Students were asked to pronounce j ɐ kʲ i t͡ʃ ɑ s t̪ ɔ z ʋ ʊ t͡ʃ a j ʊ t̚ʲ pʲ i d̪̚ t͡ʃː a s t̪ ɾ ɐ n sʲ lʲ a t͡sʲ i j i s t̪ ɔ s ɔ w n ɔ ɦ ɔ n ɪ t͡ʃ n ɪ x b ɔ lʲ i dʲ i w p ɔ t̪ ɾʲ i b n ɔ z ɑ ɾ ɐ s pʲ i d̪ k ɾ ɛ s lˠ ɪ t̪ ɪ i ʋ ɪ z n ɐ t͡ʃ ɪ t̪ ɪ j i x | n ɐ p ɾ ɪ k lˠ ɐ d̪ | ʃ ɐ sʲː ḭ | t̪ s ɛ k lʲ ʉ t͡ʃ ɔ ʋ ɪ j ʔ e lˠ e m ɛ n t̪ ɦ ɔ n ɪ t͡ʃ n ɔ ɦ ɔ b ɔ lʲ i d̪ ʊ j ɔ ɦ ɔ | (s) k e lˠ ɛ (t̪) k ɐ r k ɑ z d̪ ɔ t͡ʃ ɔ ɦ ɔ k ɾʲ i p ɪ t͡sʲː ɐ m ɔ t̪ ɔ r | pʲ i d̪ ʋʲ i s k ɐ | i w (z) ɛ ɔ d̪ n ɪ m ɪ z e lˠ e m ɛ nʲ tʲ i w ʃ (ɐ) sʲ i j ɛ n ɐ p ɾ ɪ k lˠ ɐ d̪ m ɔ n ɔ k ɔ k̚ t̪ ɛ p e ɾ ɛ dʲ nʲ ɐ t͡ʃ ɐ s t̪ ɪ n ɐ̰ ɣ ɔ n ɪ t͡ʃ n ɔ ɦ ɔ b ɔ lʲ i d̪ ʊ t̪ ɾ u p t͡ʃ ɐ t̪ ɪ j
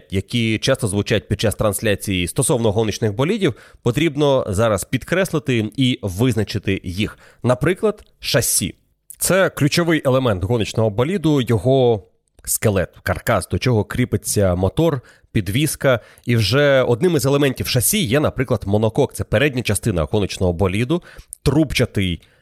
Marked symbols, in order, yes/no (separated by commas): yes, yes, no, yes